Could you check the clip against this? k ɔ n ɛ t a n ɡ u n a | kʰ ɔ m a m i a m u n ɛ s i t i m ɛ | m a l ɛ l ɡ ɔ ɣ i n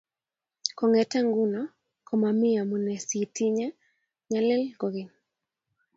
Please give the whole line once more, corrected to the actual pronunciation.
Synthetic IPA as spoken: k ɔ ŋ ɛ t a ŋ ɡ u n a | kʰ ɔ m a m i a m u n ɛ s i t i ɲ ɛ | ɲ a l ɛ l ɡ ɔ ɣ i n